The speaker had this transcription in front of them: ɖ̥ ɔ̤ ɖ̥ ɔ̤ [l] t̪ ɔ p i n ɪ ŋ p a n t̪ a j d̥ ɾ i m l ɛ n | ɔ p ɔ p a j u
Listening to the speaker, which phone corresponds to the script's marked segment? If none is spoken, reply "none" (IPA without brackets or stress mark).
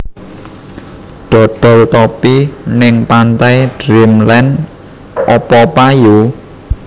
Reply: l